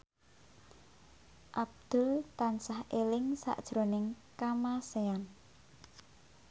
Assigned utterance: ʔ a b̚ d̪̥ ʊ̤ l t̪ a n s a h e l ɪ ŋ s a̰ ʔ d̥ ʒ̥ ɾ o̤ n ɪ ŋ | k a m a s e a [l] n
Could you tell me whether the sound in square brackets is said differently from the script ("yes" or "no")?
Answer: yes